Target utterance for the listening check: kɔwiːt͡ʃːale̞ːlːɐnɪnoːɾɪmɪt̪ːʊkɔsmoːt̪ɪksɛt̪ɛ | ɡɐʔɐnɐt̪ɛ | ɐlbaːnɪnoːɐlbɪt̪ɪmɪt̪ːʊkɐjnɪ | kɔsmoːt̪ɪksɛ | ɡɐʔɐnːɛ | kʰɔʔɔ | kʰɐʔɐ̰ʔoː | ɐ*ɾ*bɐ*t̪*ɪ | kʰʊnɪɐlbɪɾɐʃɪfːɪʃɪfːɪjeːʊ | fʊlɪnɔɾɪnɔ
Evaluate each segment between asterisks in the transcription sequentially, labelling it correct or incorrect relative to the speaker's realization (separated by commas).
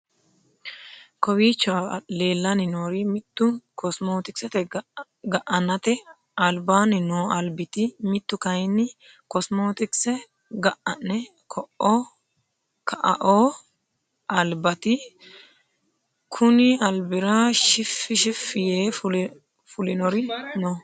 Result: incorrect, correct